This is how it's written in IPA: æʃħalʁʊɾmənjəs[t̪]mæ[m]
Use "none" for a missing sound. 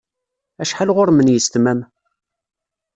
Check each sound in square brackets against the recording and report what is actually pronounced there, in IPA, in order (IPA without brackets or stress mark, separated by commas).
t̪, m